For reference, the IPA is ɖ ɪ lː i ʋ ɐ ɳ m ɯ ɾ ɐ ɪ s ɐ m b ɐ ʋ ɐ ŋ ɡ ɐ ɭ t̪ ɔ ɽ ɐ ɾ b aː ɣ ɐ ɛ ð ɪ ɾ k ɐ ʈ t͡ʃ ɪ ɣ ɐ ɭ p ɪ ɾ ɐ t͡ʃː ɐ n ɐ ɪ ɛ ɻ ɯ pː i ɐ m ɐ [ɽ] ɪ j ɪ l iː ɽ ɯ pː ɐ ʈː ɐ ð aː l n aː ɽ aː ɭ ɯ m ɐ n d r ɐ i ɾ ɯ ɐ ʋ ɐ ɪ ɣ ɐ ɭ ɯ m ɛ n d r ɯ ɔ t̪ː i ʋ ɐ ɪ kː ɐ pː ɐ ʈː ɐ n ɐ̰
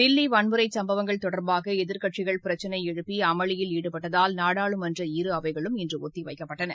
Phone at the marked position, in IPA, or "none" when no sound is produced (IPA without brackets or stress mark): ɭ